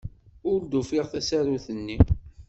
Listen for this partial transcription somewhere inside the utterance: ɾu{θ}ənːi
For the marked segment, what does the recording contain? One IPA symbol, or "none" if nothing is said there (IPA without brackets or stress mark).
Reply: θ